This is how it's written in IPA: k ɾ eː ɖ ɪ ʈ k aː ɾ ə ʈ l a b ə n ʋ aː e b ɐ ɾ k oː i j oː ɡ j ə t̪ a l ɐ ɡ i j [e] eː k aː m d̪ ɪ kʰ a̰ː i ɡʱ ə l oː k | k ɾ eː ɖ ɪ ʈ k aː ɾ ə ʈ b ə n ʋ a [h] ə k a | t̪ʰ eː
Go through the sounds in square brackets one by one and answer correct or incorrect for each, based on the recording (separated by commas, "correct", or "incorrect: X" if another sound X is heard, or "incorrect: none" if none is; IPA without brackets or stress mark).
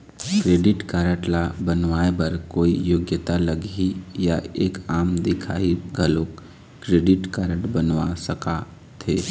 incorrect: a, incorrect: s